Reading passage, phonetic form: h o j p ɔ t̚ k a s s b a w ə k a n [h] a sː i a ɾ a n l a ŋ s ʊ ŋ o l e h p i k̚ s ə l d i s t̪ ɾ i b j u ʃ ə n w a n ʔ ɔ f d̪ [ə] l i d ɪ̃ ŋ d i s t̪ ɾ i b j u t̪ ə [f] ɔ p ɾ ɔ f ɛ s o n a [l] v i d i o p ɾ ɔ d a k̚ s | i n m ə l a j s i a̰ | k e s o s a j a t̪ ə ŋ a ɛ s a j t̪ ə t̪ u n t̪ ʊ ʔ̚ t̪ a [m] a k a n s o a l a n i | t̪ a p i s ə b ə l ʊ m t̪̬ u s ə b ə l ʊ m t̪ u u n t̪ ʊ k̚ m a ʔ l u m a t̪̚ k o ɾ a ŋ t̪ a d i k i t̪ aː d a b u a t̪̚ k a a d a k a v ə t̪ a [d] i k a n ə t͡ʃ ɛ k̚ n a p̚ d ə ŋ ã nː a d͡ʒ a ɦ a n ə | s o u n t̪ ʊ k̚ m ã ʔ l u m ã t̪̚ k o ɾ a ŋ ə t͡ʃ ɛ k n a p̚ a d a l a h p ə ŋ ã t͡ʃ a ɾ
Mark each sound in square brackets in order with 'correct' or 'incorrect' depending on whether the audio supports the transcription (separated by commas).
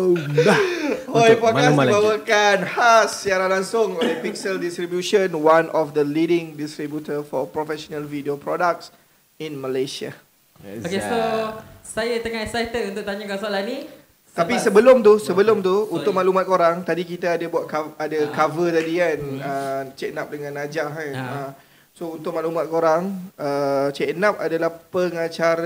correct, correct, correct, correct, incorrect, correct